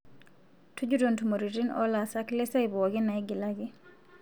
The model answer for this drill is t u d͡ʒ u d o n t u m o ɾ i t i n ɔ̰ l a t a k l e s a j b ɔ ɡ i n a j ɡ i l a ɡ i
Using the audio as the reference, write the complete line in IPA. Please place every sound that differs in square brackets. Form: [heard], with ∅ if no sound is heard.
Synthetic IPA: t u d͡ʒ u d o n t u m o ɾ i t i n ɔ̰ l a [s] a k l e s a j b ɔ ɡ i n a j ɡ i l a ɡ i